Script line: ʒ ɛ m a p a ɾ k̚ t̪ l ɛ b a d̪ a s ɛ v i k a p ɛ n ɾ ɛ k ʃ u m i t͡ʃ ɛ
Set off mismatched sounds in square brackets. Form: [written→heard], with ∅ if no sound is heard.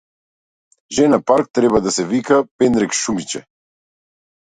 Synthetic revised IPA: ʒ ɛ [m→n] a p a ɾ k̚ t̪ [l→ɾ] ɛ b a d̪ a s ɛ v i k a p ɛ n ɾ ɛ k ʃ u m i t͡ʃ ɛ